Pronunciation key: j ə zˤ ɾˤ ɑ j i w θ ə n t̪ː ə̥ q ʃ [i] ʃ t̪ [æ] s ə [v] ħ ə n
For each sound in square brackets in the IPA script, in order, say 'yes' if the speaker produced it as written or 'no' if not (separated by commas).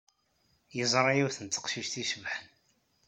yes, no, yes